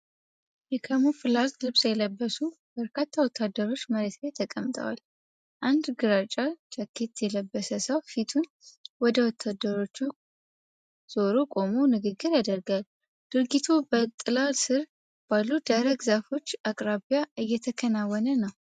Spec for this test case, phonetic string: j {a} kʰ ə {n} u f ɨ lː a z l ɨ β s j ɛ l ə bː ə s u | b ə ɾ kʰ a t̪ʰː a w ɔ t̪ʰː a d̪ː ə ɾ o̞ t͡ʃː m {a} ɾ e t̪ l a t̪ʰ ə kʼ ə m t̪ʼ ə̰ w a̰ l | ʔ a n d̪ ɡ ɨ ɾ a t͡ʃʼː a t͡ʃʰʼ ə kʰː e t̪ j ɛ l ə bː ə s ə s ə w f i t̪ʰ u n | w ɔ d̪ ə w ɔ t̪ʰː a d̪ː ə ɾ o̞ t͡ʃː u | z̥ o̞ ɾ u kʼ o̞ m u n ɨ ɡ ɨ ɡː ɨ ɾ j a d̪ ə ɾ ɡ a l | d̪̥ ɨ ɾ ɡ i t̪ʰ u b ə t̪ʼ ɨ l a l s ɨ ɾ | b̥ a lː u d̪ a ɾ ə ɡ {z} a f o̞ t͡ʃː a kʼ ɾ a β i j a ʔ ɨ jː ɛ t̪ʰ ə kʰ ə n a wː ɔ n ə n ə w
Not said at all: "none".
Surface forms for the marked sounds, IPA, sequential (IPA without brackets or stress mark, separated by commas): ɛ, m, ə, z